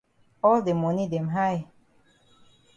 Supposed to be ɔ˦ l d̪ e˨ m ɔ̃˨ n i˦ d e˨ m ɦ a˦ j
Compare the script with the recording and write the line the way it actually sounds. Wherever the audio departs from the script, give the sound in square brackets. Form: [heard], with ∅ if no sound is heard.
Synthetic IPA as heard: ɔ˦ l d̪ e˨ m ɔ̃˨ n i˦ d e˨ m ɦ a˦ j

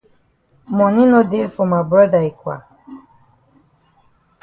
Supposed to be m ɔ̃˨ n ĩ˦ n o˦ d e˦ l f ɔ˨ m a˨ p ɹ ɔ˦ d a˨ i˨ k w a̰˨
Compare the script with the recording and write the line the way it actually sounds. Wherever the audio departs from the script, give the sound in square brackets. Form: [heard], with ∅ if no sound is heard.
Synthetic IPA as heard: m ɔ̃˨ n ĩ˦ n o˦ d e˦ l f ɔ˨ m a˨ [b] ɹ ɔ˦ d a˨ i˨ k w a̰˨

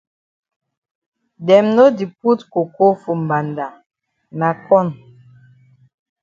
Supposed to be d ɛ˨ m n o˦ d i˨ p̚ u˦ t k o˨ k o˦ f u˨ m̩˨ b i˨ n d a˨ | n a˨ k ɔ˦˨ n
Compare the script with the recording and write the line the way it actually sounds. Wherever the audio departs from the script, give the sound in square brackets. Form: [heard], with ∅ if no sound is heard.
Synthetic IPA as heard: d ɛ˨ m n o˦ d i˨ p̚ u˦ t k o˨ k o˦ f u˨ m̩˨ b [a˨] n d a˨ | n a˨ k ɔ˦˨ n

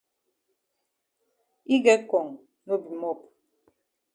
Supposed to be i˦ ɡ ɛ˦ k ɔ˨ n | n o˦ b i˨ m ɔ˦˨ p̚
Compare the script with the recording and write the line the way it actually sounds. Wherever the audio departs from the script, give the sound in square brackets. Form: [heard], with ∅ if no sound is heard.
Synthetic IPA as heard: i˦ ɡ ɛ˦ k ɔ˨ [ŋ] | n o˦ b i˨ m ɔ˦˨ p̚

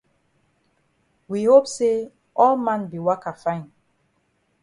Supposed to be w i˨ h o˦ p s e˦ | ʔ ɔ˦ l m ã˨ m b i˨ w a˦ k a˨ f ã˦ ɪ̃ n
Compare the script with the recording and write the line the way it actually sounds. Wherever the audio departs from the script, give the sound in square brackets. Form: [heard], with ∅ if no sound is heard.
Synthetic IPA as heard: w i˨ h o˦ p s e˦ | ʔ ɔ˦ l m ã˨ [n] b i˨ w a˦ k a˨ f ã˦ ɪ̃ n

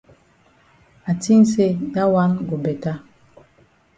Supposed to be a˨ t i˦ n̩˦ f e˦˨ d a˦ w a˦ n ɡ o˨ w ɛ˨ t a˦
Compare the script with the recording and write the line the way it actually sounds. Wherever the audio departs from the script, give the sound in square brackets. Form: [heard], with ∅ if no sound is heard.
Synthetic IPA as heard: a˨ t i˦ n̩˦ [s] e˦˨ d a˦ w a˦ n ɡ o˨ [b] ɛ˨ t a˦

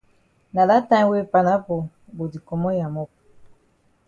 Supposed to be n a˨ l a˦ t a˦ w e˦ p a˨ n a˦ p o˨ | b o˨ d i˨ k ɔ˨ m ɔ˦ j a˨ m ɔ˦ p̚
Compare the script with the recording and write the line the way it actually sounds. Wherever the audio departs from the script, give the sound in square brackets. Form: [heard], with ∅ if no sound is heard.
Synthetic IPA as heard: n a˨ l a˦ t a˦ w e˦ p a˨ n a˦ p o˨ | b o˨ d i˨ k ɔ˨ m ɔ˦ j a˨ m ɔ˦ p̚

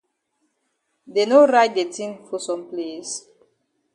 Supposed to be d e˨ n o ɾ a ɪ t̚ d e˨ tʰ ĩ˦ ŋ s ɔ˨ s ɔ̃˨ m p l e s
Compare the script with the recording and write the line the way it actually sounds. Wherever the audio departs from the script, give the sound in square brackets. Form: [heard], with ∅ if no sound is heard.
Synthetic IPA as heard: d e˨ n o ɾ a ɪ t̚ d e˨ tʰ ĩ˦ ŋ [f] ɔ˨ s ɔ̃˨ m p l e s

